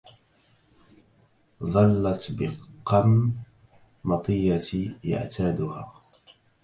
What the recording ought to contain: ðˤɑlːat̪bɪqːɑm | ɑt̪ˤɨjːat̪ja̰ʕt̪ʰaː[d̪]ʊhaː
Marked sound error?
no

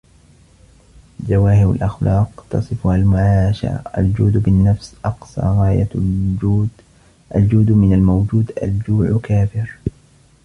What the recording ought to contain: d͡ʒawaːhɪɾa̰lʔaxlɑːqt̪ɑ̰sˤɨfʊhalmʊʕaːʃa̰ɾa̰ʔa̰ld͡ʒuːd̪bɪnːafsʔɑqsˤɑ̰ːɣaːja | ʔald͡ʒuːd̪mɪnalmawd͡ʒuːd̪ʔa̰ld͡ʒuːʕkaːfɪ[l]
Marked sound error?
yes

